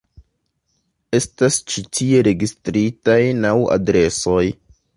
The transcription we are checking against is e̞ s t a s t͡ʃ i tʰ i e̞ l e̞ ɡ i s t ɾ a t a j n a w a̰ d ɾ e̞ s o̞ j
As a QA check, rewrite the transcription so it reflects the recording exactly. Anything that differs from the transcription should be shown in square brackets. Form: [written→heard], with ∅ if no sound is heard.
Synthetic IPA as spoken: e̞ s t a s t͡ʃ i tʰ i e̞ [l→ɾ] e̞ ɡ i s t ɾ [a→i] t a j n a w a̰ d ɾ e̞ s o̞ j